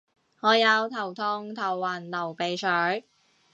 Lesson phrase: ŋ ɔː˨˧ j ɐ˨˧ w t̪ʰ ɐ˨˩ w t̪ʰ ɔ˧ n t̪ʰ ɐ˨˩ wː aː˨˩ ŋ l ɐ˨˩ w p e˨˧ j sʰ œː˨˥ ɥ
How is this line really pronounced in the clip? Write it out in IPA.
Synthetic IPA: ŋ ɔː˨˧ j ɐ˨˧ w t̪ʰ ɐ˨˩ w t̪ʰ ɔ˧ ŋ t̪ʰ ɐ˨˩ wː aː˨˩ n l ɐ˨˩ w p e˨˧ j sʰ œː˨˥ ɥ